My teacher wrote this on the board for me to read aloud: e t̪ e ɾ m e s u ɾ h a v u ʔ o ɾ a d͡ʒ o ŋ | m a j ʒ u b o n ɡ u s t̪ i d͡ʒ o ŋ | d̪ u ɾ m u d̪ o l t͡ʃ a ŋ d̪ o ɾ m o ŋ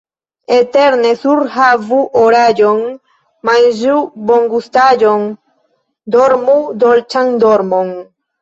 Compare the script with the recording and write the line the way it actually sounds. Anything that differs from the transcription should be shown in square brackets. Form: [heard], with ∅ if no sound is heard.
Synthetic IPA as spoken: e t̪ e ɾ [n] e s u ɾ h a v u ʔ o ɾ a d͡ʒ o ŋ | m a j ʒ u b o [ŋ] ɡ u s t̪ [a] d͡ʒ o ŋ | d̪ [o] ɾ m u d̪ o l t͡ʃ a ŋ d̪ o ɾ m o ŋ